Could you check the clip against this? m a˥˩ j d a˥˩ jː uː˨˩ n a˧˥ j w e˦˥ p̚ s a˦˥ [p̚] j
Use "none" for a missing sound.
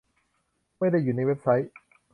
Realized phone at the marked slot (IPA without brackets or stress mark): none